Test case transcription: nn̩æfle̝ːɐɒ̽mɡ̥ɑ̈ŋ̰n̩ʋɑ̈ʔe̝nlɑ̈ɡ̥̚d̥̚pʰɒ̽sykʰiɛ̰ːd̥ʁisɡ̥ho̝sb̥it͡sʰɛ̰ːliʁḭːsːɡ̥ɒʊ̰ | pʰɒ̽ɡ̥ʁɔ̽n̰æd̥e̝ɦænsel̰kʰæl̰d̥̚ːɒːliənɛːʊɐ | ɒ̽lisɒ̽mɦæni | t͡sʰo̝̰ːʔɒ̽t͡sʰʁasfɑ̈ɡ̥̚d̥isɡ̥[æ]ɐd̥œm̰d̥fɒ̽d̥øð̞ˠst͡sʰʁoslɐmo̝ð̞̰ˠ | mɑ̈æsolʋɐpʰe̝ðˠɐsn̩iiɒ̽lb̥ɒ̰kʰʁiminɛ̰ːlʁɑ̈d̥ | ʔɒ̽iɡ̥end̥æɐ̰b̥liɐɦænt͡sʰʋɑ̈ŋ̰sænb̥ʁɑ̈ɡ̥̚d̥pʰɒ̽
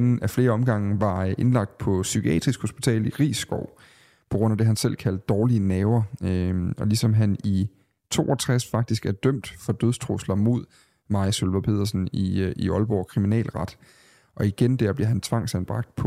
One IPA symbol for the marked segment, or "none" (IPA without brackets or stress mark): æ